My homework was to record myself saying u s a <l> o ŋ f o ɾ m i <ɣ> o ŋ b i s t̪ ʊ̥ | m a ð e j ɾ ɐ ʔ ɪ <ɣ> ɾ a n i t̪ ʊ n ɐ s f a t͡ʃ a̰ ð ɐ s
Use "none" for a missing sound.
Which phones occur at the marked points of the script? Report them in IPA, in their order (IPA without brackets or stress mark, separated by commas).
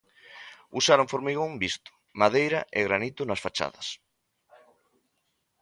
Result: ɾ, ɣ, ɣ